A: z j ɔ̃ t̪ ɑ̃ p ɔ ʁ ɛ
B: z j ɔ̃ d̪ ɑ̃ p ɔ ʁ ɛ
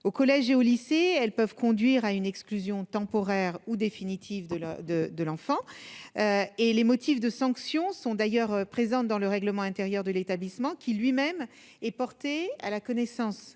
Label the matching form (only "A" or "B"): A